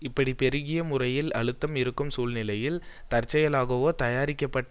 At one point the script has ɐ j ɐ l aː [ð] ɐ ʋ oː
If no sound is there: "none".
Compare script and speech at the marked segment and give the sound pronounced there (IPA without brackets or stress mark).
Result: ɣ